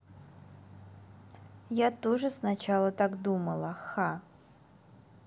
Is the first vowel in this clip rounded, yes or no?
no